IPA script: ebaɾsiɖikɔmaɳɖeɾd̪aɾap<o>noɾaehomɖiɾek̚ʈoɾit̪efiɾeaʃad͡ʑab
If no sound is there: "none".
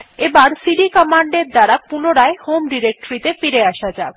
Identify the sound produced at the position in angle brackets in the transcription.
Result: u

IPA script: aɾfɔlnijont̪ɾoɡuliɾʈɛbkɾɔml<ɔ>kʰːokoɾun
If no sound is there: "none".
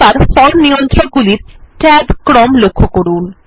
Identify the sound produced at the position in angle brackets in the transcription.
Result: o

